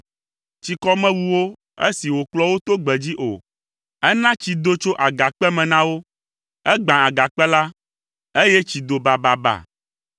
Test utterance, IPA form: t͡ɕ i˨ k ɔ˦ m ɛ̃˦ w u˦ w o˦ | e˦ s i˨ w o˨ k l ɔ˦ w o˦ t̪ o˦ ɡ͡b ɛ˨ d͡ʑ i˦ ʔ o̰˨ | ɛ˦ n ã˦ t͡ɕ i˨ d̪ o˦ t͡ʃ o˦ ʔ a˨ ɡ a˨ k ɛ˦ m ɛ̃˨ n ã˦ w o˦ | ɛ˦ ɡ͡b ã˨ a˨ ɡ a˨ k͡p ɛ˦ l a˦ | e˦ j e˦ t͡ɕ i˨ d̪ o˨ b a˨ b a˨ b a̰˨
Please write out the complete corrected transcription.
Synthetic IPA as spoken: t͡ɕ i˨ k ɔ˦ m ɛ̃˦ w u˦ w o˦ | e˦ s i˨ w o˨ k l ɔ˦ w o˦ t̪ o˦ ɡ͡b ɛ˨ d͡ʑ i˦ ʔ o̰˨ | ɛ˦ n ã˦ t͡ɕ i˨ d̪ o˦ t͡ʃ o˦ ʔ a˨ ɡ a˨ k͡p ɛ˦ m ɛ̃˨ n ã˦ w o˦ | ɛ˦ ɡ͡b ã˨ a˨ ɡ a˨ k͡p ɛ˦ l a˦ | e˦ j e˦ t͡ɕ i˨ d̪ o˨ b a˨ b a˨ b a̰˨